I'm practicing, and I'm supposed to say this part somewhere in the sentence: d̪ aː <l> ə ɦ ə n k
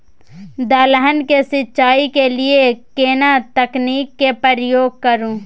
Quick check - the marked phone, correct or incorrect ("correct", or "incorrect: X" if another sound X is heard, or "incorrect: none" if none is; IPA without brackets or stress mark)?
correct